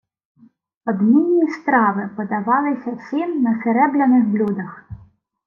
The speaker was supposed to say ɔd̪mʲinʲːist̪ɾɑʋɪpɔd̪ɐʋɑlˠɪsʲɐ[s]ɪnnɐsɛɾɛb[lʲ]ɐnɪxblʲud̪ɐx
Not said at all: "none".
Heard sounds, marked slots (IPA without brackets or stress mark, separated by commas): s, lʲ